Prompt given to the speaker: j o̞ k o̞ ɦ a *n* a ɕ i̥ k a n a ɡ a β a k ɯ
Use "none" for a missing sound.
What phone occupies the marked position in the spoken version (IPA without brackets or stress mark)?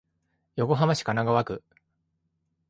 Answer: m